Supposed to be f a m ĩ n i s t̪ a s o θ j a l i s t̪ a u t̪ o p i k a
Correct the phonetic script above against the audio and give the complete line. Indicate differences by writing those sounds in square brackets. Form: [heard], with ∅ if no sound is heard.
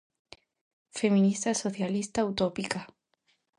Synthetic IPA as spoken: f [e] m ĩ n i s t̪ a s o θ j a l i s t̪ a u t̪ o p i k a

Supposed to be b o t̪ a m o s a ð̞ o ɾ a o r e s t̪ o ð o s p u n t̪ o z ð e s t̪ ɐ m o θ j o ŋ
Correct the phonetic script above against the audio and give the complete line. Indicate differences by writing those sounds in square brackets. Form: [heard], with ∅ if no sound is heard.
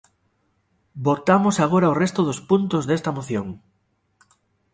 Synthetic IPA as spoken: b o t̪ a m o s a [ɣ̞] o ɾ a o r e s t̪ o ð o s p u n t̪ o z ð e s t̪ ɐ m o θ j o ŋ

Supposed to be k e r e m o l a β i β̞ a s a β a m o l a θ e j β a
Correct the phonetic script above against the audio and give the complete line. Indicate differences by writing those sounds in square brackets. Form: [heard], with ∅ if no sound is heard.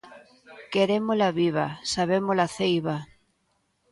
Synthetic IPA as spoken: k e [ɾ] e m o l a β i β̞ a s a β [e] m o l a θ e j β a

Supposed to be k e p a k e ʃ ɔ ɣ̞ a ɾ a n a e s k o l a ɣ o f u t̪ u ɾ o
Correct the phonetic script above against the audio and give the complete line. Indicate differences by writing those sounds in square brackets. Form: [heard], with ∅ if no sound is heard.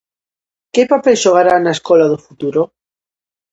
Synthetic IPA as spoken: k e p a [p] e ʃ [o] ɣ̞ a ɾ a n a e s k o l a [ð] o f u t̪ u ɾ o

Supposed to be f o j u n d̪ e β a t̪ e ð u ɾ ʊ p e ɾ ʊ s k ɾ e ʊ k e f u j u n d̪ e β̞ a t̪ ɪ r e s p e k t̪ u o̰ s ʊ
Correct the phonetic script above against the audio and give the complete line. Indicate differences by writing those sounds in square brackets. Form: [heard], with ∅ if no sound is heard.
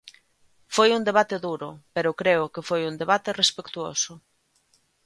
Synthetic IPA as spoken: f o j u n d̪ e β a t̪ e ð u ɾ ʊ p e ɾ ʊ [∅] k ɾ e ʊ k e f [o] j u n d̪ e β̞ a t̪ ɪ r e s p e k t̪ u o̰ s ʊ

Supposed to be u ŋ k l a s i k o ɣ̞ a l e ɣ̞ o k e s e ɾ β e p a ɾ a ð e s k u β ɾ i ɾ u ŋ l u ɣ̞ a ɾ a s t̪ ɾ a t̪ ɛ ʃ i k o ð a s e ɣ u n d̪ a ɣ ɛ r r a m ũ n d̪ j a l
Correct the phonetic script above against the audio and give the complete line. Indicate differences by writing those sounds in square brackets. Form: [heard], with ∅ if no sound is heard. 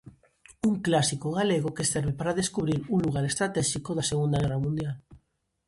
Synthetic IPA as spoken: u ŋ k l a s i k o ɣ̞ a l e ɣ̞ o k e s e ɾ β e p a ɾ a ð e s k u β ɾ i ɾ u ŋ l u ɣ̞ a ɾ [e] s t̪ ɾ a t̪ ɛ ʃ i k o ð a s e ɣ u n d̪ a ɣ ɛ r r a m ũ n d̪ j a l

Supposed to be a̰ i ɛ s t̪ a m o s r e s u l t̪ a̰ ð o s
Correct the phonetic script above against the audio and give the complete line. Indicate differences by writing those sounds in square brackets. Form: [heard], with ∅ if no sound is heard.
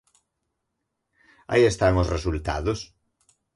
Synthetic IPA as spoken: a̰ i [e] s t̪ a [ŋ] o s r e s u l t̪ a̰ ð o s

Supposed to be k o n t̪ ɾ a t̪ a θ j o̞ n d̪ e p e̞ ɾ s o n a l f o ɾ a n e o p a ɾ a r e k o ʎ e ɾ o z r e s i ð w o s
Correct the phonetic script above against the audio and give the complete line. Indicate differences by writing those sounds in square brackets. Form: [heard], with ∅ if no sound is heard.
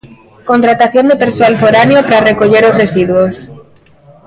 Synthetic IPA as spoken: k o n t̪ ɾ a t̪ a θ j o̞ n d̪ e p e̞ ɾ s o [∅] a l f o ɾ a n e o p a ɾ a r e k o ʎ e ɾ o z r e s i ð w o s

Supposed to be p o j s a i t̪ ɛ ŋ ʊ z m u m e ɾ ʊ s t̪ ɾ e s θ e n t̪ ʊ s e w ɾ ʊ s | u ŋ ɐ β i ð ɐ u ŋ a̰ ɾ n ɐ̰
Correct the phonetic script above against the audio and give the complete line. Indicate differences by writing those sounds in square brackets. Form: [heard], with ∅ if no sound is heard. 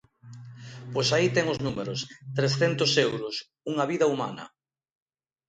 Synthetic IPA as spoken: p o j s a i t̪ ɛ ŋ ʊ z [n] u m e ɾ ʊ s t̪ ɾ e s θ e n t̪ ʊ s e w ɾ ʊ s | u ŋ ɐ β i ð ɐ u [m] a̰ [∅] n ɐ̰

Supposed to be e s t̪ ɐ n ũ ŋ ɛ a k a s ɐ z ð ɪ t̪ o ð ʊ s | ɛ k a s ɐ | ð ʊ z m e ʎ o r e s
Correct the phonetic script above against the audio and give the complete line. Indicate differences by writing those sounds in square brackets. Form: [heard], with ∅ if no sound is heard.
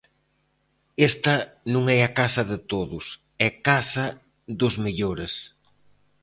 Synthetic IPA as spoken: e s t̪ ɐ n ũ ŋ ɛ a k a s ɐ [∅] ð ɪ t̪ o ð ʊ s | ɛ k a s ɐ | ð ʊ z m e ʎ o [ɾ] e s

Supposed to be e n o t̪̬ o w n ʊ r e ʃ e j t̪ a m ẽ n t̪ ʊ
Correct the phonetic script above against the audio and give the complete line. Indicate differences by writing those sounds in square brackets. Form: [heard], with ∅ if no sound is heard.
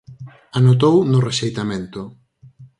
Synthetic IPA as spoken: [a] n o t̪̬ o w n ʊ r e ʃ e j t̪ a m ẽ n t̪ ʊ

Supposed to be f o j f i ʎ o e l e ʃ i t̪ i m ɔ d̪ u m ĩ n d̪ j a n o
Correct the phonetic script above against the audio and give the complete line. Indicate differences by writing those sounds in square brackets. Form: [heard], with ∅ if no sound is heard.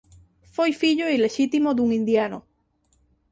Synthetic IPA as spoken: f o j f i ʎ o [i] l e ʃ i t̪ i m [o] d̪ u [ŋ] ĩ n d̪ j a n o

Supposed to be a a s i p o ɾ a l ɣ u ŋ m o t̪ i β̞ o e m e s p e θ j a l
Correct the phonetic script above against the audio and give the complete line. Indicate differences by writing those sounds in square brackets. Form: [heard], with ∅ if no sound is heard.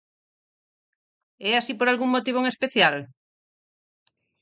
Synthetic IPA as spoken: [ɛ] a s i p o ɾ a l ɣ u ŋ m o t̪ i β̞ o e [ŋ] e s p e θ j a l

